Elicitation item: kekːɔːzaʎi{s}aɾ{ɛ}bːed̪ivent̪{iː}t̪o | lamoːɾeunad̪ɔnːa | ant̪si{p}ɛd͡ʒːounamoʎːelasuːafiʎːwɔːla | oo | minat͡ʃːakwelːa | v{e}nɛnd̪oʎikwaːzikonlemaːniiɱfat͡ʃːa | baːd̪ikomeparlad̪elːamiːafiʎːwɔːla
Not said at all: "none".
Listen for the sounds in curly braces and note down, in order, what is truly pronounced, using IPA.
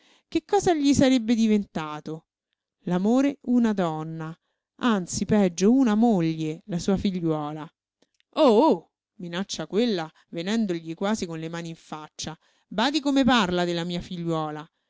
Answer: s, e, aː, p, e

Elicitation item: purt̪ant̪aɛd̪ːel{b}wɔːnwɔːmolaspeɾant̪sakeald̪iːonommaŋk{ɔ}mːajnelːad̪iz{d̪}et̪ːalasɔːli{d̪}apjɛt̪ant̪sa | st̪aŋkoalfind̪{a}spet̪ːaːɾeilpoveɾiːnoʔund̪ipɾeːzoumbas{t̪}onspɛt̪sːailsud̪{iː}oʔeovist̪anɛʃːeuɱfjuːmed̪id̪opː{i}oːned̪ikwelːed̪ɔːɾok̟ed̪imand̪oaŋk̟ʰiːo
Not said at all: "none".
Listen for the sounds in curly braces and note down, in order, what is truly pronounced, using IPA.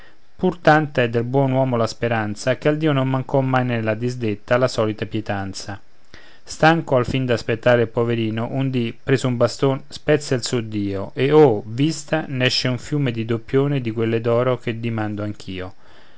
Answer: b, ɔ, d̪, t̪, a, t̪, iː, j

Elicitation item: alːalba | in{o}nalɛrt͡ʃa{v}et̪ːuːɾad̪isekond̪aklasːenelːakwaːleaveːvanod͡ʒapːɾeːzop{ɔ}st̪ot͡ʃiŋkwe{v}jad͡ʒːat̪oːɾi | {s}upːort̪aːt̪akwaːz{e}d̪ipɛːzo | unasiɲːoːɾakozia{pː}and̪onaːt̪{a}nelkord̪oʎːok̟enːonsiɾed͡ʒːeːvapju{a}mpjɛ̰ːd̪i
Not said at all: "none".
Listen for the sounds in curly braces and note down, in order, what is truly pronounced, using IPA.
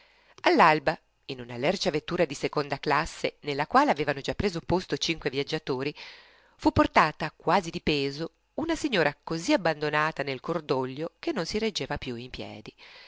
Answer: u, v, o, v, f, i, bː, a, i

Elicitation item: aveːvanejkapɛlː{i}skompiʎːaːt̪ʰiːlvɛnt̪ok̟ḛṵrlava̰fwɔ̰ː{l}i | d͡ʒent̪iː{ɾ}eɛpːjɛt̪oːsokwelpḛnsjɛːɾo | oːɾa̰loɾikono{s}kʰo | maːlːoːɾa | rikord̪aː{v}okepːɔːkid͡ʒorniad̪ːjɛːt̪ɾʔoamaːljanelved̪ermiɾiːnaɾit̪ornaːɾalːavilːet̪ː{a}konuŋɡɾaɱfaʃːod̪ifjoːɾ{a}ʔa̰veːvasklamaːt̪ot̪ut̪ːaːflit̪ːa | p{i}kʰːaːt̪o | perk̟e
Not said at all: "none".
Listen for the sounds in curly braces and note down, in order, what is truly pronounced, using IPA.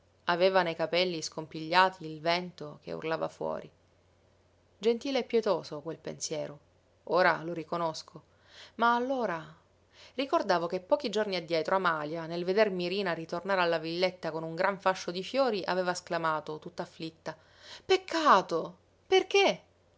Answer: i, ɾ, l, s, v, a, i, e

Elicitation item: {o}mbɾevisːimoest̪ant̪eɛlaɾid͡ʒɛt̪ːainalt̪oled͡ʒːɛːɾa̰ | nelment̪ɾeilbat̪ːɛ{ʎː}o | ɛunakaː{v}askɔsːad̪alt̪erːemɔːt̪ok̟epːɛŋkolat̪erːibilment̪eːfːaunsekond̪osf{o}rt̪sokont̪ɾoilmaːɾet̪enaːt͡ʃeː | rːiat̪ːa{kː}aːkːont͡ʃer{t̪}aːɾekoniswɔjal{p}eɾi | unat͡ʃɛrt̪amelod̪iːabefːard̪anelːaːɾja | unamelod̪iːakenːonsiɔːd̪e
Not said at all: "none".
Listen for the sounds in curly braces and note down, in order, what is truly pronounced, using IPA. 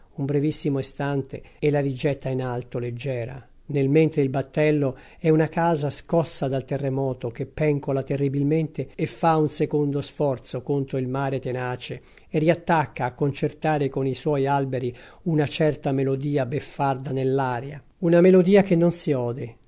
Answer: u, lː, z, ɔ, kː, t̪, b

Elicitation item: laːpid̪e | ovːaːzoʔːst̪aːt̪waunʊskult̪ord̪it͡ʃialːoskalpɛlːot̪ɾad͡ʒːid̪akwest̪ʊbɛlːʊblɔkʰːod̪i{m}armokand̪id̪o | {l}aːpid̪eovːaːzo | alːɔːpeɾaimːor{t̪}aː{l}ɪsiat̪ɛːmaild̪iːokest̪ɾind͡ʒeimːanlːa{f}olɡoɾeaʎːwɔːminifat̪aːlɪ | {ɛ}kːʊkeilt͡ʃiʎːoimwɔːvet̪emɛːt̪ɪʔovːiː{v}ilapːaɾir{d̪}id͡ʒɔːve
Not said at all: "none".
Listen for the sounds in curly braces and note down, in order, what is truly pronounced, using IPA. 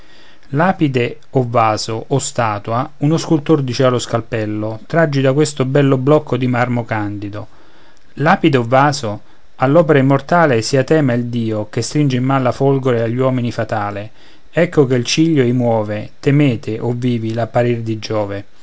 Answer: m, l, t̪, l, f, ɛ, v, d̪

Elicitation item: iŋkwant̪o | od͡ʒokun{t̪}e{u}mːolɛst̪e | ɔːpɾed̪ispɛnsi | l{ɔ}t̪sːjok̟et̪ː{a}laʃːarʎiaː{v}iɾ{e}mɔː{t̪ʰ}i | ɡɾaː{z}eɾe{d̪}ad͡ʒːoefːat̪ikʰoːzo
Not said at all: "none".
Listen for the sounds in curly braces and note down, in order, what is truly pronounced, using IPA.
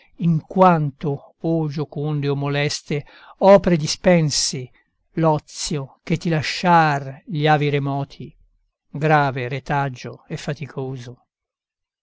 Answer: d̪, o, ɔ, i, v, e, t̪ʰ, v, t̪

